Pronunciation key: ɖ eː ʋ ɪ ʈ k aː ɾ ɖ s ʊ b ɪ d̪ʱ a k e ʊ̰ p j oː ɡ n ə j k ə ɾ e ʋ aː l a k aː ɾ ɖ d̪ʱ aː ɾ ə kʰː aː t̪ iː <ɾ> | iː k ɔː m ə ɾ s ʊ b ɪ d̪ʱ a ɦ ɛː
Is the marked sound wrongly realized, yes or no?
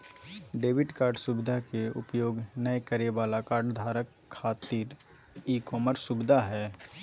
no